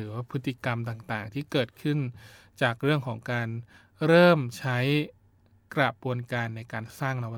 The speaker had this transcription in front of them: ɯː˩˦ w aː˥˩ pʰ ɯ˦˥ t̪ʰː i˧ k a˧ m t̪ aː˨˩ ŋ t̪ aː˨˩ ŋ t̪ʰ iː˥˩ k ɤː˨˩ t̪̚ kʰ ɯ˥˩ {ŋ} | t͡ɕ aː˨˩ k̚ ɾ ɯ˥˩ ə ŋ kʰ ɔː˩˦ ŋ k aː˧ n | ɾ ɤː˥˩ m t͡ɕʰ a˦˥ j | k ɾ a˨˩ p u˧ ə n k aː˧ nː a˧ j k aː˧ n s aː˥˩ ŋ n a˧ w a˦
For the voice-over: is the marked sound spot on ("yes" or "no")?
no